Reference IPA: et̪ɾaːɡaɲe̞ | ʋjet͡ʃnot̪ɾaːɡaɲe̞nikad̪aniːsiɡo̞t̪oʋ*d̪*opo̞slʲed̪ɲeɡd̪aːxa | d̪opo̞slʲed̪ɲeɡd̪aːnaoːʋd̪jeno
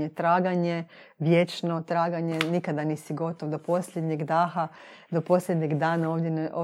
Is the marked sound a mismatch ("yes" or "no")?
no